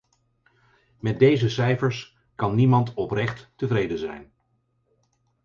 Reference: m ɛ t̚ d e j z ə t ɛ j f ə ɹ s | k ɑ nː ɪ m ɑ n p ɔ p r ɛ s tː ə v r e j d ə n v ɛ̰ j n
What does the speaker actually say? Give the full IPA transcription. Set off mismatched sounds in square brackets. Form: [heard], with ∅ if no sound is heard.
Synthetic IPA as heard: m ɛ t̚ d e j z ə [s] ɛ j f ə ɹ s | k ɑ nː [i] m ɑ n [t] ɔ p r ɛ [χ] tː ə v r e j d ə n [z] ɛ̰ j n